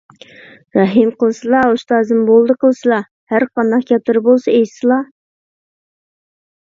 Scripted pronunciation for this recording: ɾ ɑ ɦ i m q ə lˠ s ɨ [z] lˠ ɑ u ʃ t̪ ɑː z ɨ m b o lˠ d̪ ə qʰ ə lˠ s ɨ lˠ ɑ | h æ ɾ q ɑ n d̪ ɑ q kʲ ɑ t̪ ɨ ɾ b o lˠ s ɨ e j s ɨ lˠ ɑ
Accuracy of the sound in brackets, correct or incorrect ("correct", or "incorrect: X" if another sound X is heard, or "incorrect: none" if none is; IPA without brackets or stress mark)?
incorrect: none